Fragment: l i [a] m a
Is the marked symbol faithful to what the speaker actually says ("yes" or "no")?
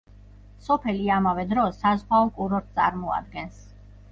yes